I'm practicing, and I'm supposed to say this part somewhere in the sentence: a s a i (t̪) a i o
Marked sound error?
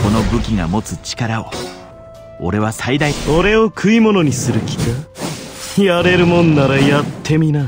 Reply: yes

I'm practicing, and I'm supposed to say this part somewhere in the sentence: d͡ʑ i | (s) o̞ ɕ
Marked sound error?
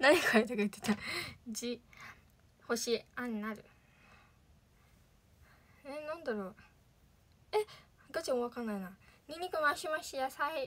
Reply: yes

